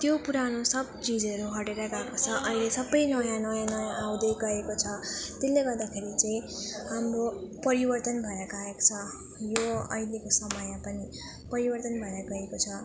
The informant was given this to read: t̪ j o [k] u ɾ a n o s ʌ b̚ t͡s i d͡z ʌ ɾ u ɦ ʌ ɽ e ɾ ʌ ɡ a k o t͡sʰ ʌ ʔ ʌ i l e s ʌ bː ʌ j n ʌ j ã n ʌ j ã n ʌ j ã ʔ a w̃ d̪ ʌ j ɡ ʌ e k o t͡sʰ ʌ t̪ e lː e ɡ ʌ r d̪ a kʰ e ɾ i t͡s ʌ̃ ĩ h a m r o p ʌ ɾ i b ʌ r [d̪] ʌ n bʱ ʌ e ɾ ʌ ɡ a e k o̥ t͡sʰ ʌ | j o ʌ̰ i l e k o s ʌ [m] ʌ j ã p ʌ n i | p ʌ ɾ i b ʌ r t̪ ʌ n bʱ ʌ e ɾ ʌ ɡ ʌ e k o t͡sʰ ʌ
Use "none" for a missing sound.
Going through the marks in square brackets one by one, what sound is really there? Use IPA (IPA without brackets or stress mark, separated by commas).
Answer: p, t̪, m